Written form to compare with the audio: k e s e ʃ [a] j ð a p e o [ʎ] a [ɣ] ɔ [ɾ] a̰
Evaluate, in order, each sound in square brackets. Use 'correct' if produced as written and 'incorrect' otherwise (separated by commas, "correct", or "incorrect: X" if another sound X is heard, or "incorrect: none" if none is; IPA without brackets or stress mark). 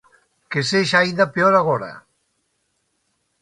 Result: correct, incorrect: ɾ, correct, correct